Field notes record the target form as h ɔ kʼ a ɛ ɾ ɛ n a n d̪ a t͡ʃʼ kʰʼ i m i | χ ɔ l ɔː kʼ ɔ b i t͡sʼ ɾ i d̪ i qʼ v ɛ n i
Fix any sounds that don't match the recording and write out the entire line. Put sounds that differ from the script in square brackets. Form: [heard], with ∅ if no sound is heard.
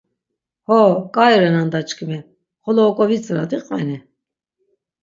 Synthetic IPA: h ɔ kʼ a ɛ ɾ ɛ n a n d̪ a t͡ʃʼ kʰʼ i m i | χ ɔ l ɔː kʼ ɔ [v] i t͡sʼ ɾ [a] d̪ i qʼ v ɛ n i